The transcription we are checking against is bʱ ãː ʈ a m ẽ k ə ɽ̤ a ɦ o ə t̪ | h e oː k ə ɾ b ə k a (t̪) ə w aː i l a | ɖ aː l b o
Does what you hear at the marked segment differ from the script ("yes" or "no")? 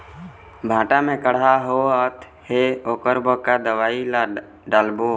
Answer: yes